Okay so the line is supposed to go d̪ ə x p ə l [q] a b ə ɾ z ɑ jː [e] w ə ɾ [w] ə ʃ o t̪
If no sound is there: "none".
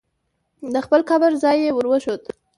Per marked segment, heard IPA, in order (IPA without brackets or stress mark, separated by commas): k, e, w